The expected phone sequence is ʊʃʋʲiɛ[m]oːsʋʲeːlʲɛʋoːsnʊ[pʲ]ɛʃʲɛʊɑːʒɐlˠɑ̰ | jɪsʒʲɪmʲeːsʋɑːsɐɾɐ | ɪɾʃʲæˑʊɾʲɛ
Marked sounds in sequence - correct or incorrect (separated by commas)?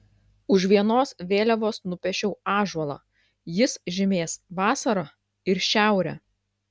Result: incorrect, correct